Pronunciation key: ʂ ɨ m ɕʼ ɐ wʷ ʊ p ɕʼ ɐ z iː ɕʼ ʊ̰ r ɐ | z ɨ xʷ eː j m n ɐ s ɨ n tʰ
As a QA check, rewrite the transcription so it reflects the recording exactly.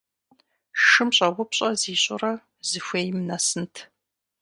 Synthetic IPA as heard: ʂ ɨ m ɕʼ ɐ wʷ ʊ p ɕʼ ɐ z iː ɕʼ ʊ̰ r ɐ | z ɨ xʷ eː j m n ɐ s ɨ n tʰ